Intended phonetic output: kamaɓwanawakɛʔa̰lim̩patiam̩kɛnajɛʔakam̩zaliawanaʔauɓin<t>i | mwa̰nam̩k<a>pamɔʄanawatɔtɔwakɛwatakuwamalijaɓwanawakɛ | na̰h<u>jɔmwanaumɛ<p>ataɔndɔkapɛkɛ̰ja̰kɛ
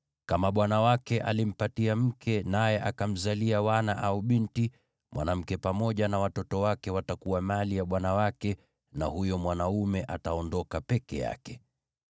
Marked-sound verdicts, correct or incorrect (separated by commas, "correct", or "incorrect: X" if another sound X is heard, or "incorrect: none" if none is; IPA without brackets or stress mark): correct, incorrect: ɛ, correct, incorrect: ʔ